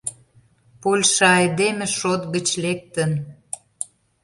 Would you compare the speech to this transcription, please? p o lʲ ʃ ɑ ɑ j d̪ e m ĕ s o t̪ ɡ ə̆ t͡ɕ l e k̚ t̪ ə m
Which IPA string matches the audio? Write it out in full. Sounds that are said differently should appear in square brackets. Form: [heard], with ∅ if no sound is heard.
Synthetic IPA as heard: p o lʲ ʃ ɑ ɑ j d̪ e m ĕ [ʃ] o t̪ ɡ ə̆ t͡ɕ l e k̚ t̪ ə [n]